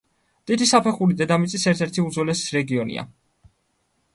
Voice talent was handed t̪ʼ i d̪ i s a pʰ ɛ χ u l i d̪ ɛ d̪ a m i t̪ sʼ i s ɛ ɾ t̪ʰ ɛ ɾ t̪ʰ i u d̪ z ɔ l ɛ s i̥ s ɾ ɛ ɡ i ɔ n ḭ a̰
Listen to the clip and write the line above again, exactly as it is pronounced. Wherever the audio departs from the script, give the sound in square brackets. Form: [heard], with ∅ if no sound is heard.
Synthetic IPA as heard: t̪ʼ i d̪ i s a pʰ ɛ χ u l i d̪ ɛ d̪ a m i t̪ sʼ i s ɛ ɾ t̪ʰ ɛ ɾ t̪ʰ i u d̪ z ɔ l ɛ s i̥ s ɾ ɛ ɡ i ɔ n ḭ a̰